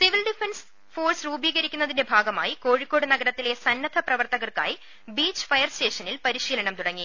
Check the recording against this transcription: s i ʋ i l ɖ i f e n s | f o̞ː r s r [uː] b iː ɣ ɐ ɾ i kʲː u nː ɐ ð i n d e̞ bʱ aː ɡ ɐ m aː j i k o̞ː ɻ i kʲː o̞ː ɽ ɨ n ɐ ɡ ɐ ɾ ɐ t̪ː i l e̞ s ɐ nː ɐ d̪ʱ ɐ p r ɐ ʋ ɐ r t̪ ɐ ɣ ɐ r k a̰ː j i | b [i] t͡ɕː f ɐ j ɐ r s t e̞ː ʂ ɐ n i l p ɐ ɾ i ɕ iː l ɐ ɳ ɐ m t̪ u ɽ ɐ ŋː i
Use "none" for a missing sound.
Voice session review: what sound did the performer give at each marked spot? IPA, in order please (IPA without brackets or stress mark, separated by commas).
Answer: uː, iː